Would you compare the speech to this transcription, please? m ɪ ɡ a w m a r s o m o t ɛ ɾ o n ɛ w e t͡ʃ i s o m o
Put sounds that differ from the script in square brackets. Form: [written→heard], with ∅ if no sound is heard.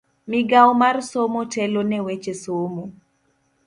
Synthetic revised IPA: m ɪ ɡ a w m a r s o m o t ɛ [ɾ→l] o n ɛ w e t͡ʃ [i→e] s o m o